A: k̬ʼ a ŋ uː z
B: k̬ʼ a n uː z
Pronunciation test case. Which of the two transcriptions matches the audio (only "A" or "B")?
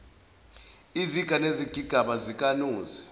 B